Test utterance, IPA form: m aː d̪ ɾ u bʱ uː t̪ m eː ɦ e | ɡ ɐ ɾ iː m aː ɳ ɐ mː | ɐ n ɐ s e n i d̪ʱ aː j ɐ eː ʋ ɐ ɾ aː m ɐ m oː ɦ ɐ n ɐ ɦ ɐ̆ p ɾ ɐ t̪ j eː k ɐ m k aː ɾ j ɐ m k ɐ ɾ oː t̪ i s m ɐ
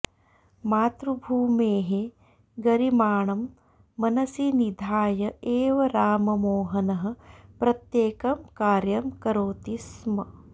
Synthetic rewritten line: m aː t̪ ɾ u bʱ uː m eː ɦ e | ɡ ɐ ɾ i m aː ɳ ɐ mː | ɐ n ɐ s i n i d̪ʱ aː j ɐ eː ʋ ɐ ɾ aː m ɐ m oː ɦ ɐ n ɐ ɦ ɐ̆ p ɾ ɐ t̪ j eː k ɐ m k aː ɾ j ɐ m k ɐ ɾ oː t̪ i s m ɐ